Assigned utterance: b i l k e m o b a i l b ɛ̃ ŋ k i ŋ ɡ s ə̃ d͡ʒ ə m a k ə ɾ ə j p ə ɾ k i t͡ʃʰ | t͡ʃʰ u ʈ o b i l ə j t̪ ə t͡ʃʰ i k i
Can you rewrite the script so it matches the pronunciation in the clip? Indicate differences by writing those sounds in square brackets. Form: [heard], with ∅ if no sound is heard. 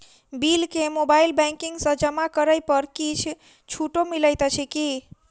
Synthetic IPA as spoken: b i l k e m o b a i l b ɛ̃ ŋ k i ŋ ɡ s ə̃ d͡ʒ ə m a k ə ɾ ə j p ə ɾ k i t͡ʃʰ | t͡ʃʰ u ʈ o [m] i l ə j t̪ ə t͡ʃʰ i k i